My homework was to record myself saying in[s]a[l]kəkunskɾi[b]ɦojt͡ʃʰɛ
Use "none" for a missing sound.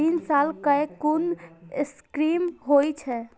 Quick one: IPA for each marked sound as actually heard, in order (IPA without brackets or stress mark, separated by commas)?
s, l, m